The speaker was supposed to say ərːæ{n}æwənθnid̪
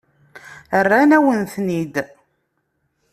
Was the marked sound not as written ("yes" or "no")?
no